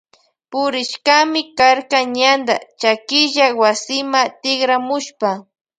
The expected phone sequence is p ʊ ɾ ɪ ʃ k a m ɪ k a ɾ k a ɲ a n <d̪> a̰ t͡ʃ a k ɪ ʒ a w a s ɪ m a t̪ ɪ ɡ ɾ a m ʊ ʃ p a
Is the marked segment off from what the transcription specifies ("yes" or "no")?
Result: no